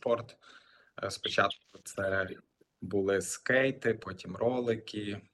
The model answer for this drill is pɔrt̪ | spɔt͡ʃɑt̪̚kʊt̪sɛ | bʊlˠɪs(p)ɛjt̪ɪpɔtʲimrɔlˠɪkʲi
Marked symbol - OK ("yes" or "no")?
no